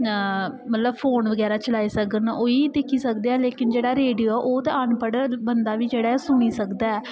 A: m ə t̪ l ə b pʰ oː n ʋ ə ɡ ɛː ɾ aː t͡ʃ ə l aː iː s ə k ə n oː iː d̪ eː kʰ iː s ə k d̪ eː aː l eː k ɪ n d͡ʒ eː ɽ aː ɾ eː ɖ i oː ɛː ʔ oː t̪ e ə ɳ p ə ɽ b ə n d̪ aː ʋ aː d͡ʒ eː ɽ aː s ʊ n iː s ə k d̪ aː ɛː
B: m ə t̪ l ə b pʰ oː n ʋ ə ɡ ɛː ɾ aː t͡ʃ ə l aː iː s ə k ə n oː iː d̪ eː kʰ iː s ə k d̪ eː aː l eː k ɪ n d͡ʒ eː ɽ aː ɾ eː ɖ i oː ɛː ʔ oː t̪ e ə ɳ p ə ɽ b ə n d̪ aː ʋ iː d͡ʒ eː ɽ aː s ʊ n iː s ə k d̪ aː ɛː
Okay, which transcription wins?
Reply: B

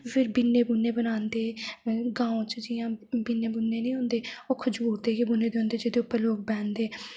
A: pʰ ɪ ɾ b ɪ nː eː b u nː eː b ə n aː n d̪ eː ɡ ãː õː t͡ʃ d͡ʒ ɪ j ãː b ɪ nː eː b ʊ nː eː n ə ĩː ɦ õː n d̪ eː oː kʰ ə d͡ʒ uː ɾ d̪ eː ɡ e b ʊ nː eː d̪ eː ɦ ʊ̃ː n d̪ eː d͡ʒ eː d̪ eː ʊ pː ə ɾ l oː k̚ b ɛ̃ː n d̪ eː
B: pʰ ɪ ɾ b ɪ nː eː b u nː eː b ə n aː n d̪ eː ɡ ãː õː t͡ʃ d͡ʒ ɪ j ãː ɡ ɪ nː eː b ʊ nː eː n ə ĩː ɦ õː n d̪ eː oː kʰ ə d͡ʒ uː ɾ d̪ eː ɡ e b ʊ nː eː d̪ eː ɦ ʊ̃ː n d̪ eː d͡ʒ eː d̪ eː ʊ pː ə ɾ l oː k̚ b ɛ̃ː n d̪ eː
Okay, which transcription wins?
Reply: A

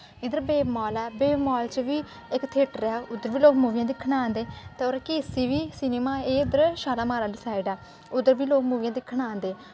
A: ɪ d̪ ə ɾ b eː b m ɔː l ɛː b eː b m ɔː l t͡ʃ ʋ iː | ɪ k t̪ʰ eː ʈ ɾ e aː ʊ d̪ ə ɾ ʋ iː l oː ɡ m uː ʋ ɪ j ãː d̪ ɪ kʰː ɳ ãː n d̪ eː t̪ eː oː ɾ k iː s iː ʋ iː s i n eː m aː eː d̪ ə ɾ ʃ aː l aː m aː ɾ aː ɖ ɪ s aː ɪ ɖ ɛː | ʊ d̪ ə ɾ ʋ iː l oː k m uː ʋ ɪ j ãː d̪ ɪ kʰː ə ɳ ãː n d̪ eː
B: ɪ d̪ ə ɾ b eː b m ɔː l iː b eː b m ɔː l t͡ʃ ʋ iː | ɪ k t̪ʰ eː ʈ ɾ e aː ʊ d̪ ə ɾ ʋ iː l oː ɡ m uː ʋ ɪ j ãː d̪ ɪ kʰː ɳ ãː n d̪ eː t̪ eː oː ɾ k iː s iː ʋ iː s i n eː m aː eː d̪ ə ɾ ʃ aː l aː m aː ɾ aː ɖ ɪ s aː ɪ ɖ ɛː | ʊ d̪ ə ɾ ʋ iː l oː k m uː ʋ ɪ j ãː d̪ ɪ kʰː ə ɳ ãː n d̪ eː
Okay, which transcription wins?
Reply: A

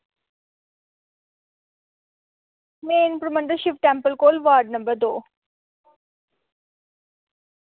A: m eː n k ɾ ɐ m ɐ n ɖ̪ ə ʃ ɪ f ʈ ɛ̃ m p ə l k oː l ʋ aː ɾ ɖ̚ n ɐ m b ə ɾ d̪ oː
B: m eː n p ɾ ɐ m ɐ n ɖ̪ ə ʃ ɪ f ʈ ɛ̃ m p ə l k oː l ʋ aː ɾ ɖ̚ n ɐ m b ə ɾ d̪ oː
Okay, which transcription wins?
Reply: B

